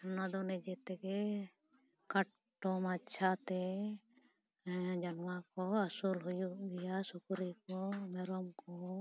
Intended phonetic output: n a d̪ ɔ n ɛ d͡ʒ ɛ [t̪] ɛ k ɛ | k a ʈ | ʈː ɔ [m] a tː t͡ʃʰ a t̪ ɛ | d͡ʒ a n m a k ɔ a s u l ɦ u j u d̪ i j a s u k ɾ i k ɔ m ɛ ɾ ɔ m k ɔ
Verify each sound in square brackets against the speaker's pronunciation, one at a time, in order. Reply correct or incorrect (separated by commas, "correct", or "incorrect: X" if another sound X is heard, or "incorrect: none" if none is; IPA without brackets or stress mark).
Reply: correct, correct